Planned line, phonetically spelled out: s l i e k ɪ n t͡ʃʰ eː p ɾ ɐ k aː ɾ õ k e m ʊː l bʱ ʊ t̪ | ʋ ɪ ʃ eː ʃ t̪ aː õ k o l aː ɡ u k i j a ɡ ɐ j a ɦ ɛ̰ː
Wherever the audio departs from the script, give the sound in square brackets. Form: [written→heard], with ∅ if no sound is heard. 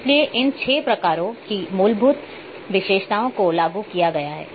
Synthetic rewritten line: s l i e [k→ʔ] ɪ n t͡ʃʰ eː p ɾ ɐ k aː ɾ õ k [e→i] m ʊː l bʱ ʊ t̪ | ʋ ɪ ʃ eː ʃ t̪ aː õ k o l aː ɡ u k i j a ɡ ɐ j a ɦ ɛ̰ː

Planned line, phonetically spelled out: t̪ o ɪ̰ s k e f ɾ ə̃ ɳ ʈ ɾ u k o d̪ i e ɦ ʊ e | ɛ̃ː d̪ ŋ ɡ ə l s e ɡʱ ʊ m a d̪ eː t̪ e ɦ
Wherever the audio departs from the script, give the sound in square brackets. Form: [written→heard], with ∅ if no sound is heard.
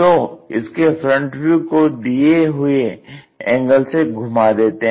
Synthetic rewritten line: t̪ o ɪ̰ s k e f ɾ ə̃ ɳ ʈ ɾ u k o d̪ i e ɦ ʊ e | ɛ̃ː [d̪→∅] ŋ ɡ ə l s e ɡʱ ʊ m a d̪ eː t̪ e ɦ

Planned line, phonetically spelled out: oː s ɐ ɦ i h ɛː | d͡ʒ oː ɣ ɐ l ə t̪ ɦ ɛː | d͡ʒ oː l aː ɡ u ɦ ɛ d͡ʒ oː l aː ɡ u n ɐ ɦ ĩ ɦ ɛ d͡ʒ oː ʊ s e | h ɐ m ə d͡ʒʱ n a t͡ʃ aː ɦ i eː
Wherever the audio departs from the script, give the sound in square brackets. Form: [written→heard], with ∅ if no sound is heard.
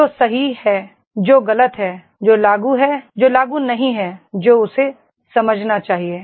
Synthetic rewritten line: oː s ɐ ɦ i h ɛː | d͡ʒ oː ɣ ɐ l ə t̪ ɦ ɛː | d͡ʒ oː l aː ɡ u ɦ ɛ d͡ʒ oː l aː ɡ u n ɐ ɦ ĩ ɦ ɛ d͡ʒ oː ʊ s e | [h→s] ɐ m ə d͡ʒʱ n a t͡ʃ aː ɦ i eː

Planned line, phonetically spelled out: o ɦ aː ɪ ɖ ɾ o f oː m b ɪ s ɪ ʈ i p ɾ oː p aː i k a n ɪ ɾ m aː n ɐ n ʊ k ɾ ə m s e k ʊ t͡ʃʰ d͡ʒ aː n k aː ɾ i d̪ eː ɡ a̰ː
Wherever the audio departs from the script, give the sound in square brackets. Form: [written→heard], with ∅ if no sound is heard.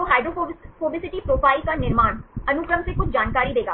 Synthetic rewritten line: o ɦ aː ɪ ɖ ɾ o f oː [m→∅] b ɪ s ɪ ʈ i p ɾ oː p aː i k a n ɪ ɾ m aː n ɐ n ʊ k ɾ ə m s e k ʊ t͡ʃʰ d͡ʒ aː n k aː ɾ i d̪ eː ɡ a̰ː

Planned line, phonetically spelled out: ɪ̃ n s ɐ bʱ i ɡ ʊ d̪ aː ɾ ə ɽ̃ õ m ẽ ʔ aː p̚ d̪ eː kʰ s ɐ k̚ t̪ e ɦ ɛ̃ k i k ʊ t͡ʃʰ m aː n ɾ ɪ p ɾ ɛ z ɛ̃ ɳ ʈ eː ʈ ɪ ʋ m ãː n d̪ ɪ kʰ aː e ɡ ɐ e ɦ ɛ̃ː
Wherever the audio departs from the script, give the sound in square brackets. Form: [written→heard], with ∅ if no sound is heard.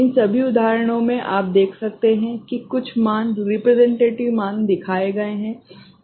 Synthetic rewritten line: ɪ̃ n s ɐ bʱ i [ɡ→∅] ʊ d̪ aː ɾ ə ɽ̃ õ m ẽ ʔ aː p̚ d̪ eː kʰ s ɐ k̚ t̪ e ɦ ɛ̃ k i k ʊ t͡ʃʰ m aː n ɾ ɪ p ɾ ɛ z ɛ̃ ɳ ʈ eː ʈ ɪ ʋ m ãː n d̪ ɪ kʰ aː e ɡ ɐ e ɦ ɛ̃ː

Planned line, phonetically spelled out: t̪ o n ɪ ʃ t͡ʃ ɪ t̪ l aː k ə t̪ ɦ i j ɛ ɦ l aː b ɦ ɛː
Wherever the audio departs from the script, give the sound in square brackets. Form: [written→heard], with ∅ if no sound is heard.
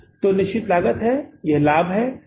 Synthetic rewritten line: t̪ o n ɪ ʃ t͡ʃ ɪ t̪ l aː [k→ɡ] ə t̪ ɦ [i→ɛ] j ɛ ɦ l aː b ɦ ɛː

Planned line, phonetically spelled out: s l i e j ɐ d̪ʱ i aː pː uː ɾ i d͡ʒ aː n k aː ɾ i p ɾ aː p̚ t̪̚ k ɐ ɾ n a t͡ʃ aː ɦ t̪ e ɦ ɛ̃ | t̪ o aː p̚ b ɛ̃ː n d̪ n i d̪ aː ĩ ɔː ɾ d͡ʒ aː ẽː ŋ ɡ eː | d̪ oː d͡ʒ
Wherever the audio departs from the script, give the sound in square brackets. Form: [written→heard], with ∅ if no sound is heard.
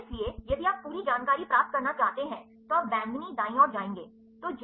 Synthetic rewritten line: s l i e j ɐ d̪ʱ i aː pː uː ɾ i d͡ʒ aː n k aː ɾ i p ɾ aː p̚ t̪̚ k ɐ ɾ n a t͡ʃ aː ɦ t̪ e ɦ ɛ̃ | t̪ o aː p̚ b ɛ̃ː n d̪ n i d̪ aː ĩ ɔː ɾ d͡ʒ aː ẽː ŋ ɡ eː | [d̪→t̪] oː d͡ʒ

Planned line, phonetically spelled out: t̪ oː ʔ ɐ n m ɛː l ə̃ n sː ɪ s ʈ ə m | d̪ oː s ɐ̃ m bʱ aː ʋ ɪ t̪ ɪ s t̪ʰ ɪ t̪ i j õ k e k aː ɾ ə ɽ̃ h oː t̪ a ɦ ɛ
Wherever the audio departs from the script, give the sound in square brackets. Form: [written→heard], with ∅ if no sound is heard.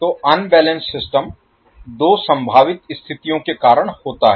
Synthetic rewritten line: t̪ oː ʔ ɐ n [m→b] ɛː l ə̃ n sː ɪ s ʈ ə m | d̪ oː s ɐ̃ m bʱ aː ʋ ɪ t̪ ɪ s t̪ʰ ɪ t̪ i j õ k e k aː ɾ ə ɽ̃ h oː t̪ a ɦ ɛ

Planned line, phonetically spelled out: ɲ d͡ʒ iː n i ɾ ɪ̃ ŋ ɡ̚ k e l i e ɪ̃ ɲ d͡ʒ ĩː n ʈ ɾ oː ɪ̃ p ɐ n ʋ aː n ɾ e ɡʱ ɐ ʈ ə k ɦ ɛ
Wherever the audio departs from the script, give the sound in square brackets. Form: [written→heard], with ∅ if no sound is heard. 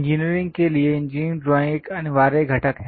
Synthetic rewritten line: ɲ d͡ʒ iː n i ɾ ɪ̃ ŋ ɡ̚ k e l i e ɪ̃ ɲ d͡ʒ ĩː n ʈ ɾ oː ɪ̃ [p→k] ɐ n ʋ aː [n→∅] ɾ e ɡʱ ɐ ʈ ə k ɦ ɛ

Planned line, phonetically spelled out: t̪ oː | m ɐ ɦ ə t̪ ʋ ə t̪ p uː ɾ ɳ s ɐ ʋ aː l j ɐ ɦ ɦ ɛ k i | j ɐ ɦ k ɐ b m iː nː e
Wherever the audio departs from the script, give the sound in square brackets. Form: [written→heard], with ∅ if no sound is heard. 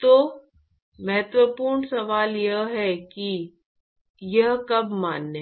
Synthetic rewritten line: t̪ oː | m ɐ ɦ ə t̪ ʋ ə [t̪→∅] p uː ɾ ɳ s ɐ ʋ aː l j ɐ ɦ ɦ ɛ k i | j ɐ ɦ k ɐ b m [iː→aː] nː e

